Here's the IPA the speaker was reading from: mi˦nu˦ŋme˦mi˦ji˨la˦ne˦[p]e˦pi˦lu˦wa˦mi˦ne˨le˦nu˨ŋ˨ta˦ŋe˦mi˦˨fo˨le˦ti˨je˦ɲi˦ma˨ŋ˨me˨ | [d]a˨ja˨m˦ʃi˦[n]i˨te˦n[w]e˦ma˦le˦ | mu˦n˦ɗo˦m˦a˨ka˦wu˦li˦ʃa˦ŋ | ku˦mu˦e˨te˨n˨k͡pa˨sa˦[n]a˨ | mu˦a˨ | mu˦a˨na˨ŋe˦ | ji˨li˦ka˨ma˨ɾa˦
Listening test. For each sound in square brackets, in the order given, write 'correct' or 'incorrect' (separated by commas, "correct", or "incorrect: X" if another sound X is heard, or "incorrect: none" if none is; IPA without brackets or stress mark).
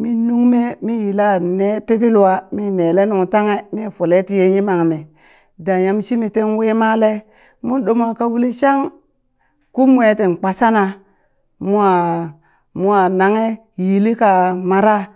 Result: correct, correct, incorrect: m, correct, correct